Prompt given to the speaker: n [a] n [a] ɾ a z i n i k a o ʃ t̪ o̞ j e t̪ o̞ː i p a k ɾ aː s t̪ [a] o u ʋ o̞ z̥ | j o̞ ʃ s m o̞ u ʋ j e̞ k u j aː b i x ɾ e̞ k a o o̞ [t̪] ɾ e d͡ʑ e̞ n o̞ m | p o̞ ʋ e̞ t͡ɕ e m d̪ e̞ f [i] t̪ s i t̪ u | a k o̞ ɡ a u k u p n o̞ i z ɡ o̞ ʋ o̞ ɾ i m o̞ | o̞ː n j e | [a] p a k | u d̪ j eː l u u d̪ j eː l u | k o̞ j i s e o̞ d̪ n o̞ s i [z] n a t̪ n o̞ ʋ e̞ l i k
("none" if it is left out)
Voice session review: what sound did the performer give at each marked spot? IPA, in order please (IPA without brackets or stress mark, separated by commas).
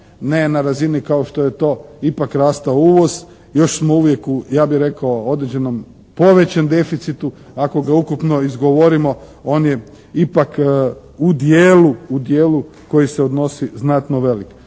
e, a, a, d̪, i, i, z